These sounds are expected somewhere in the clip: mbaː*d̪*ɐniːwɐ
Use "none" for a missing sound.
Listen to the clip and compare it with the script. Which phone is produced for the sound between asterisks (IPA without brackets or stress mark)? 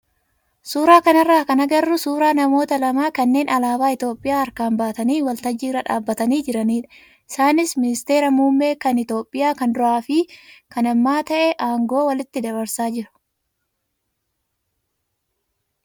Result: t̪